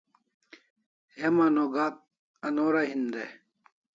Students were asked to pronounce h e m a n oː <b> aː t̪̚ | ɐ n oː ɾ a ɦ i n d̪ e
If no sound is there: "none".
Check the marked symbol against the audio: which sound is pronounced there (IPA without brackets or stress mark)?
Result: ɡ